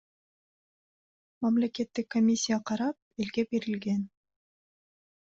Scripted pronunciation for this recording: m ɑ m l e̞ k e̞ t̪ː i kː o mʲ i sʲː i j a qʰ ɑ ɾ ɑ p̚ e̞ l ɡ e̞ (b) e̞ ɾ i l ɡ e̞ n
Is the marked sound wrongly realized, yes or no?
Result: no